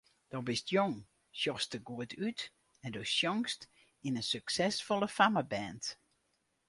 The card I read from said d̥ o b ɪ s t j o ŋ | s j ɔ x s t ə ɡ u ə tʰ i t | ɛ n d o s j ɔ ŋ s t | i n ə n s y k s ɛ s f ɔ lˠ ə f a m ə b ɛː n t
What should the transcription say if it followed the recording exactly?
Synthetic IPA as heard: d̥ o b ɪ s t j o ŋ | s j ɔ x s t ə ɡ u ə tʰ y t | ɛ n d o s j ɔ ŋ s t | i n ə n s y k s ɛ s f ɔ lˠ ə f a m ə b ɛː n t